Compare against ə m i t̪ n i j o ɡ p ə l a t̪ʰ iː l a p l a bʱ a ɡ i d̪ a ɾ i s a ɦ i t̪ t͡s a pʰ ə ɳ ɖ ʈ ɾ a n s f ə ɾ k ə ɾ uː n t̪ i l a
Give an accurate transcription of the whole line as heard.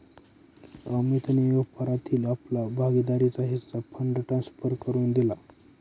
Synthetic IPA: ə m i t̪ n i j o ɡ p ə ɾ a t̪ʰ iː l a p l a bʱ a ɡ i d̪ a ɾ i t͡s a ɦ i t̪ t͡s a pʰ ə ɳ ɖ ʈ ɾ a n s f ə ɾ k ə ɾ uː n d̪ i l a